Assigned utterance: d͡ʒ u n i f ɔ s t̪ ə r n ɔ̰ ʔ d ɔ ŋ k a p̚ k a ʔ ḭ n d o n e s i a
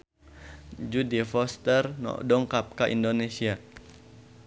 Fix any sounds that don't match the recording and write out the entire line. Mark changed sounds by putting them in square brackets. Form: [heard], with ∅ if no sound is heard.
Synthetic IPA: d͡ʒ u [d] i f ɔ s t̪ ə r n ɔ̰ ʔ d ɔ ŋ k a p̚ k a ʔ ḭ n d o n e s i a